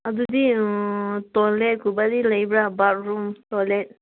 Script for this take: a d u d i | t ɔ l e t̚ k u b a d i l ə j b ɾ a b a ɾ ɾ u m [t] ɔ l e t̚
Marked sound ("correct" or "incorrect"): correct